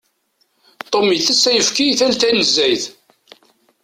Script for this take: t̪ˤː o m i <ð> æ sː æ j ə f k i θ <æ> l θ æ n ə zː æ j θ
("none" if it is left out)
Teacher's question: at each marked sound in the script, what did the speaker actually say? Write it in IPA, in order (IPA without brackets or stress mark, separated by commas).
θ, æ